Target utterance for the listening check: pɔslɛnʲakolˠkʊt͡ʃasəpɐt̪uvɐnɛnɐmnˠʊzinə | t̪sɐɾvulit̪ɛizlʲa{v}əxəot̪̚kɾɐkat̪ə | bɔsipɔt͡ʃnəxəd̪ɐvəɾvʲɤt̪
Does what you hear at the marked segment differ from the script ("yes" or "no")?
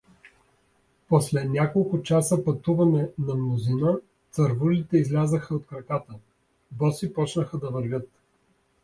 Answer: yes